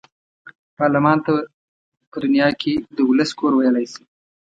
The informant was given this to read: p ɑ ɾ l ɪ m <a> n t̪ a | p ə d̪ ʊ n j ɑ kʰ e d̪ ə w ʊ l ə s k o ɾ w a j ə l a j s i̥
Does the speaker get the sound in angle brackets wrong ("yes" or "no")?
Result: yes